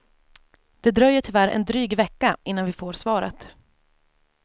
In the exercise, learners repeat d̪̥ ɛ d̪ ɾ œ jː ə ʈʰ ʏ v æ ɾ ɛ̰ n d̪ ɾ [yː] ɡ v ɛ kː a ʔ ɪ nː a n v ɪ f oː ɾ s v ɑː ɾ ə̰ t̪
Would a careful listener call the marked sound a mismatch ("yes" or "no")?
no